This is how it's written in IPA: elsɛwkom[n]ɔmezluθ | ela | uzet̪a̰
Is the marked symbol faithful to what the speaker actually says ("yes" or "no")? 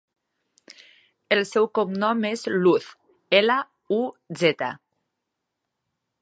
yes